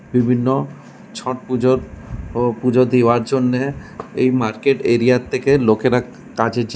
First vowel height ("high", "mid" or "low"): high